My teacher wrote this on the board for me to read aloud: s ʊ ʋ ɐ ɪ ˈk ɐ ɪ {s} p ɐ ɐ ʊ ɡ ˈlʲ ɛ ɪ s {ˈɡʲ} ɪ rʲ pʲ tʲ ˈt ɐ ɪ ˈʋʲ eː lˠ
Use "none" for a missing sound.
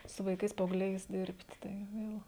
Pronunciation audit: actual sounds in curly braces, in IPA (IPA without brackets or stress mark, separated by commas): s, dʲ